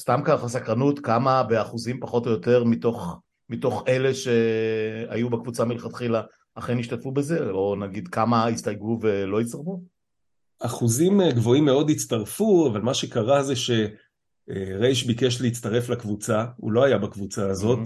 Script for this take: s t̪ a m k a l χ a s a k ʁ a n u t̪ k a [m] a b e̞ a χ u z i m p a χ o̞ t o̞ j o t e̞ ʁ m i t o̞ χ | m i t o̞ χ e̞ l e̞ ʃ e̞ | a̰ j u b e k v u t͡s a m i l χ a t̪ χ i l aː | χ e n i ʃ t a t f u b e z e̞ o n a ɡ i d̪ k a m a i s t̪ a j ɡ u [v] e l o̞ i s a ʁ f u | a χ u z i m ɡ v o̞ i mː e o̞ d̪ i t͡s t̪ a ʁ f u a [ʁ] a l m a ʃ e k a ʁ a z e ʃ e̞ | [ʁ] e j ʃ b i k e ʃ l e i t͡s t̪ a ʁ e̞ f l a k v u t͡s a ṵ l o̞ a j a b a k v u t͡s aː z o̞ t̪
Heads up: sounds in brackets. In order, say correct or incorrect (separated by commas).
correct, correct, incorrect, correct